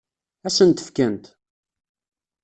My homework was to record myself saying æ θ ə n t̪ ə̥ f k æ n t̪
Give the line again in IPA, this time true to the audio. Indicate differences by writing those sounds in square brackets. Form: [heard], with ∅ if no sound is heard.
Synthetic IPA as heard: æ [s] ə n t̪ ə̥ f k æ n t̪